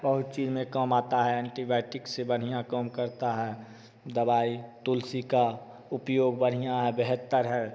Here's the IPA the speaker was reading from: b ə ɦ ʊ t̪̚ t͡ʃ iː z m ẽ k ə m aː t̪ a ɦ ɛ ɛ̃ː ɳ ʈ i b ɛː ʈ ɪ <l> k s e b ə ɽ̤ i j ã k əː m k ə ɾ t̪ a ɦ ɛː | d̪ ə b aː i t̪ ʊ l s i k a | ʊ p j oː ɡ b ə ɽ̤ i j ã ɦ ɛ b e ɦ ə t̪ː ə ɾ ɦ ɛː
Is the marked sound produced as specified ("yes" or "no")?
no